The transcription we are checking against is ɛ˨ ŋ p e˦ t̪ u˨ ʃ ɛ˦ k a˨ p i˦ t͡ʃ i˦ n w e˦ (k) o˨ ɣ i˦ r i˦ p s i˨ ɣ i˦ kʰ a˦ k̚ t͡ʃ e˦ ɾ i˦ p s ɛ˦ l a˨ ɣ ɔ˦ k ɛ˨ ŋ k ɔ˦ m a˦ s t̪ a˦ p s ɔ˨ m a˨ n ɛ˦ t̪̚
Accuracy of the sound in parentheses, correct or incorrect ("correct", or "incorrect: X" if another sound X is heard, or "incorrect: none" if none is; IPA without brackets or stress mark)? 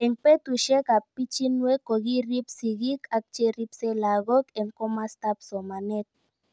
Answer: correct